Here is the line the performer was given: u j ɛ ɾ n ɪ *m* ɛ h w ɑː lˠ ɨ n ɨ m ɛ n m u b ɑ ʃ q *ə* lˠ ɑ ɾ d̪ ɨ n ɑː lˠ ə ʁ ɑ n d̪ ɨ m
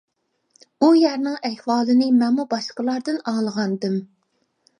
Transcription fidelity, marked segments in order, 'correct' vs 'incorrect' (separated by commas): incorrect, correct